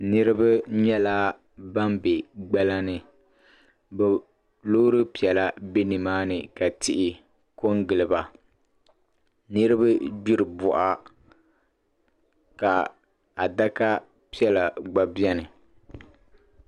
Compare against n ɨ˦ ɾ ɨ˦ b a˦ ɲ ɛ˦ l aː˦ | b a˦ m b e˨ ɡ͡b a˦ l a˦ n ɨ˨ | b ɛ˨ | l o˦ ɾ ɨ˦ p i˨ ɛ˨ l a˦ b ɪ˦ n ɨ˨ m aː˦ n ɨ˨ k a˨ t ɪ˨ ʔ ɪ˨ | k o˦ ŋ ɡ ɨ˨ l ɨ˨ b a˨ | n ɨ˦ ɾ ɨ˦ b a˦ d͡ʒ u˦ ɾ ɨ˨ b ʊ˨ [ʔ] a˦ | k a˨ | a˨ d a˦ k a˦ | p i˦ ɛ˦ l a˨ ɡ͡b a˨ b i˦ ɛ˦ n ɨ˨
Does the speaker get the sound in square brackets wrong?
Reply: no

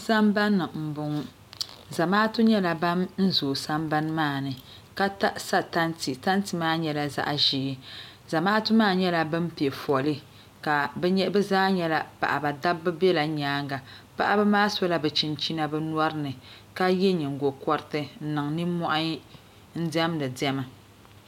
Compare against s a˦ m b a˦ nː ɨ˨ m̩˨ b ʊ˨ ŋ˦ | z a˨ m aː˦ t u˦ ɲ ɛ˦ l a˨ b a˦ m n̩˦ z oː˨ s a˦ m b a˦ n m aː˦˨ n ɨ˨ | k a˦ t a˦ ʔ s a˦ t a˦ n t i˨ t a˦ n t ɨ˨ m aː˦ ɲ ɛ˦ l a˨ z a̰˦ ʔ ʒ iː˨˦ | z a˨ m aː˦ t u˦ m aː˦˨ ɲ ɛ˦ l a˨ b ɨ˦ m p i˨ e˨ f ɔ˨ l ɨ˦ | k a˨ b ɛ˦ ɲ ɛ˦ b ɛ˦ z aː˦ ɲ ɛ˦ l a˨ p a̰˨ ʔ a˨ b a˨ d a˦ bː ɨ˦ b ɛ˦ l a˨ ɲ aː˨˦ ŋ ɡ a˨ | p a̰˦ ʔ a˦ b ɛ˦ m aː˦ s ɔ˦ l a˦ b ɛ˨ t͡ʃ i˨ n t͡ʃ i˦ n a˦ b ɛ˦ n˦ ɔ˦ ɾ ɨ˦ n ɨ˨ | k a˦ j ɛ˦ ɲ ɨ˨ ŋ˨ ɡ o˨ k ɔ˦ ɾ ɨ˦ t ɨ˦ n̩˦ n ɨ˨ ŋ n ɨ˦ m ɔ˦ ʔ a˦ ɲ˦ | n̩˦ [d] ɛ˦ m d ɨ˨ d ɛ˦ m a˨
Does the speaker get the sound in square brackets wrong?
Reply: no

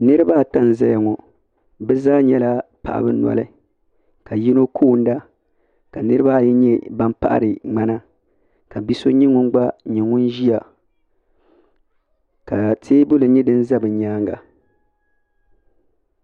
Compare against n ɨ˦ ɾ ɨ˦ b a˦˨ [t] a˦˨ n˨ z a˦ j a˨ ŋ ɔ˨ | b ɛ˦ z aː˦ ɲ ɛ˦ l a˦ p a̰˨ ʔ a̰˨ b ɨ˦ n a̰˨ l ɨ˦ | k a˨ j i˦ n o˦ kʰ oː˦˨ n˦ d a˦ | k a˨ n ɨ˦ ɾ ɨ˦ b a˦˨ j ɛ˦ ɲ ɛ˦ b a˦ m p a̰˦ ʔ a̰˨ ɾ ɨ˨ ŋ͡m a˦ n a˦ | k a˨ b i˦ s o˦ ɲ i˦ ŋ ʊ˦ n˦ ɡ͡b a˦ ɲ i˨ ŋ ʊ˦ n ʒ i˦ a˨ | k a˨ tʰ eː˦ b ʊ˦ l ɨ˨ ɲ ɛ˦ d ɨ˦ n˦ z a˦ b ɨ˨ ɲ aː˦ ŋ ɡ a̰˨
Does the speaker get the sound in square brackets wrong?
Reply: no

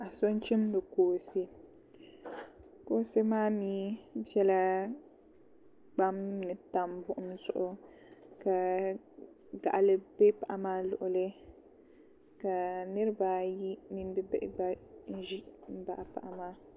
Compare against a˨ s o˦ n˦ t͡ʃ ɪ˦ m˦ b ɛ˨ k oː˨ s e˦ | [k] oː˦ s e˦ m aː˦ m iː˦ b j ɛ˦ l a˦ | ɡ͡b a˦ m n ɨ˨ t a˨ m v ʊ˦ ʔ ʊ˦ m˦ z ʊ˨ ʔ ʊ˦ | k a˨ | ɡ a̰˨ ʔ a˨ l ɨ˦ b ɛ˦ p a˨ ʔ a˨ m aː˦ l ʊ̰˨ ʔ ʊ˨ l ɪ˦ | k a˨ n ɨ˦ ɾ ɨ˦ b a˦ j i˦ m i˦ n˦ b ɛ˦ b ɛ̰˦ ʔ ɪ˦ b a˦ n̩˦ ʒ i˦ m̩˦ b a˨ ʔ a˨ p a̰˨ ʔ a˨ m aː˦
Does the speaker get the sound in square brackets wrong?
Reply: no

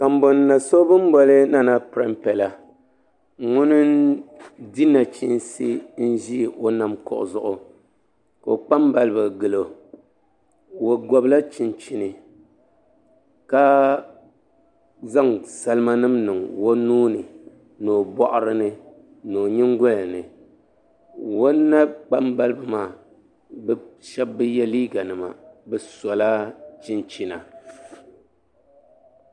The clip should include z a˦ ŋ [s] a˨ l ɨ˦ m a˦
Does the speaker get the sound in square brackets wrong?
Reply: no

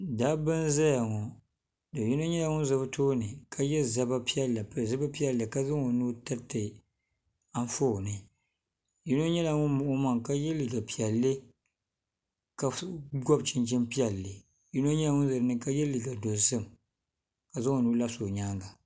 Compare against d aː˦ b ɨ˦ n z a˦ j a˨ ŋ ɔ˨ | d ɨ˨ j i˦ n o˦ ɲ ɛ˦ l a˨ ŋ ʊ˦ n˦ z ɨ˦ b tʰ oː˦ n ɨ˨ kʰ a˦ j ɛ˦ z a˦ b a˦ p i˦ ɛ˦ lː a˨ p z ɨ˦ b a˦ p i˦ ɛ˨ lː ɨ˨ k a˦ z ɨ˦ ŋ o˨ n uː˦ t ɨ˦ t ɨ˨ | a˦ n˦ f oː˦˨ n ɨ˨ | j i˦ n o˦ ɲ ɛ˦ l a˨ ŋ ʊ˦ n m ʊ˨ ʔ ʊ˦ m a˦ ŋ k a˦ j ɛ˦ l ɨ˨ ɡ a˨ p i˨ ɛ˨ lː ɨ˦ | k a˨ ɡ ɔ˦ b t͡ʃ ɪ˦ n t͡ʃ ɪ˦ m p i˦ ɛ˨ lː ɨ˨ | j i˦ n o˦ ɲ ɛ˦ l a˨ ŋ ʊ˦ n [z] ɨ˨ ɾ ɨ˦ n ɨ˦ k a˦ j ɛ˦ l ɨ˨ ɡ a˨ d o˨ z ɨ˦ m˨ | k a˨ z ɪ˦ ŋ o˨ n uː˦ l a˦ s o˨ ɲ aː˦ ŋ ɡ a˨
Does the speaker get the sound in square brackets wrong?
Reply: no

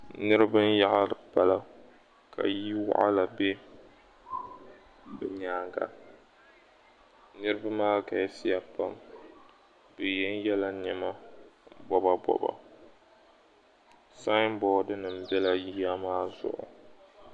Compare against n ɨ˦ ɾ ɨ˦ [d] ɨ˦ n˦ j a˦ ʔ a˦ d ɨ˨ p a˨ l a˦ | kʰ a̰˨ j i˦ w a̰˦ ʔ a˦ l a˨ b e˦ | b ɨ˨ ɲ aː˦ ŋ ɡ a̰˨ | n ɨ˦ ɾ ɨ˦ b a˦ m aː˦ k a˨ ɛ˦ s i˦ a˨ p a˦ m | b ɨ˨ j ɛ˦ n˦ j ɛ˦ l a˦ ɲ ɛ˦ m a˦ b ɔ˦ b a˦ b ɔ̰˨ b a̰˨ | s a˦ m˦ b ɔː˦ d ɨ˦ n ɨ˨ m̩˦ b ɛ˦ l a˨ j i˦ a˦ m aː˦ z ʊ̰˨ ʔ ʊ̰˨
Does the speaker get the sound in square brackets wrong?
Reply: yes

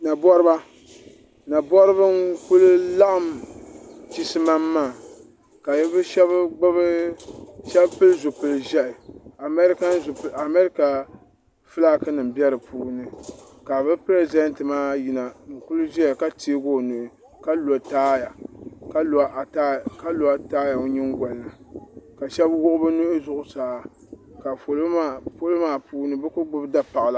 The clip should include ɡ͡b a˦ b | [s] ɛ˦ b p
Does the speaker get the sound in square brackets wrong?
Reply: yes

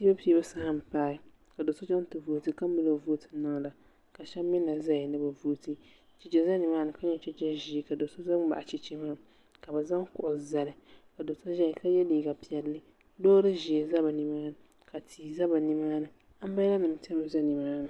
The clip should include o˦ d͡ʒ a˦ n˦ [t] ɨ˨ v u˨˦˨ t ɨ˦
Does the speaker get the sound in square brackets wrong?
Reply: no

